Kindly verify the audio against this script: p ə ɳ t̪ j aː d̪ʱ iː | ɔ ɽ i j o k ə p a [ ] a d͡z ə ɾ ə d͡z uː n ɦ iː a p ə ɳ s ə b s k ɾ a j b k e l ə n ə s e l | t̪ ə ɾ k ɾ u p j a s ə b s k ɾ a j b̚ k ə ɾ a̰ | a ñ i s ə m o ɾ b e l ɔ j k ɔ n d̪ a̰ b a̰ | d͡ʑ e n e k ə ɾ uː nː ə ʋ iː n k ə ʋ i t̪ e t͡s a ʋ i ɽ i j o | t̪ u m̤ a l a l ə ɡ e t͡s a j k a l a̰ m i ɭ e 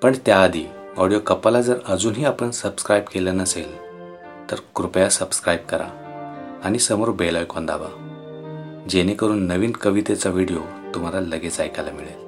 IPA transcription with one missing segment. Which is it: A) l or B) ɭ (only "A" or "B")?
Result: A